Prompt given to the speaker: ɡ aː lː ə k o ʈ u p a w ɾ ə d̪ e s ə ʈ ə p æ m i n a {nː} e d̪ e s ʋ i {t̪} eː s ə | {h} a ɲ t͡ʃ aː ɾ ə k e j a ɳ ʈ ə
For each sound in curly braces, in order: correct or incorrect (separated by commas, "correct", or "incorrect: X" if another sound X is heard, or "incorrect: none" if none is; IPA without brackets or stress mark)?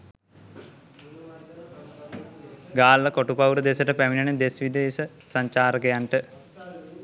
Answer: incorrect: n, incorrect: d̪, incorrect: s